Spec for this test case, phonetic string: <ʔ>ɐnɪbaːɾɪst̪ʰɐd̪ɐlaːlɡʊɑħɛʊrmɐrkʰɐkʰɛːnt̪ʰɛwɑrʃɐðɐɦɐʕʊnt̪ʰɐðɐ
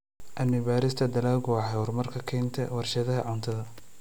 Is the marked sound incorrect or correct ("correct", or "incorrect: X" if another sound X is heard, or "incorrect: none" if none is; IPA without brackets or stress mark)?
correct